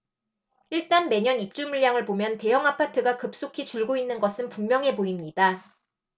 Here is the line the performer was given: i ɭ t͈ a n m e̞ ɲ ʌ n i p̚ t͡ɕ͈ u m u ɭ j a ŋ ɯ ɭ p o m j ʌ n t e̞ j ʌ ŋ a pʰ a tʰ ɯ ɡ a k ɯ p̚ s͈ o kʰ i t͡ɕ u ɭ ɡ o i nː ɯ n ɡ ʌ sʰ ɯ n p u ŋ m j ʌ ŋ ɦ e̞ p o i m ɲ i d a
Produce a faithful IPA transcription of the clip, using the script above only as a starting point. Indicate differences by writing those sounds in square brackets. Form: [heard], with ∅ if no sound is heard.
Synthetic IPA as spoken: i ɭ t͈ a n m e̞ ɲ ʌ n i p̚ t͡ɕ͈ u m u ɭ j a ŋ ɯ ɭ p o m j ʌ n t e̞ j ʌ ŋ a pʰ a tʰ ɯ ɡ a k ɯ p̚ s͈ o kʰ i t͡ɕ u ɭ ɡ o i nː ɯ n ɡ ʌ sʰ ɯ n p u ŋ m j ʌ ŋ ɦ e̞ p o i m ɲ i d a